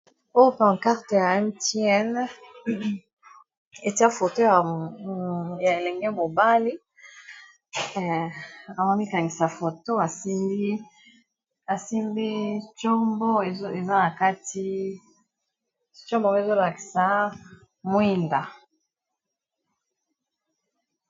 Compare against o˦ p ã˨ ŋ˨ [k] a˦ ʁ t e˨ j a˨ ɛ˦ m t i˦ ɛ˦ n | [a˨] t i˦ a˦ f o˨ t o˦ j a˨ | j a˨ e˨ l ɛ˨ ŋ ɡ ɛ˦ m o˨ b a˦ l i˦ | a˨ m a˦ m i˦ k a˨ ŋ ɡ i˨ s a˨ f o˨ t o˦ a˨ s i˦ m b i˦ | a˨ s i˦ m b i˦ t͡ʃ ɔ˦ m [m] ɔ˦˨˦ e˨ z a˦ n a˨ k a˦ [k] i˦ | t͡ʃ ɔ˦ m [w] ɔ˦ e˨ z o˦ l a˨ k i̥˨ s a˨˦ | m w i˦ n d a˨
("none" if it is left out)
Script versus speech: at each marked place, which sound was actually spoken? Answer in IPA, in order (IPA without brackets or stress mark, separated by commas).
k, e˨, b, t, b